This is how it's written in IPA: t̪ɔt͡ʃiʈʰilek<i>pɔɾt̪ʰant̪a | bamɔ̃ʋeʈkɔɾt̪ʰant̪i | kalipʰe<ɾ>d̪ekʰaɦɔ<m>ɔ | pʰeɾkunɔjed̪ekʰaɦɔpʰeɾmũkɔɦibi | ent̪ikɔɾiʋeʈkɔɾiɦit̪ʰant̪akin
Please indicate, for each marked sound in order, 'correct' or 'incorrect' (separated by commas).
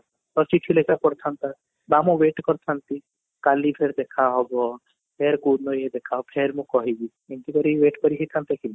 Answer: incorrect, correct, incorrect